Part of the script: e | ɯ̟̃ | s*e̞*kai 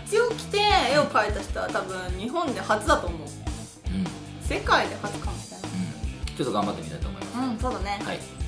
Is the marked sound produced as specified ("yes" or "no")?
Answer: yes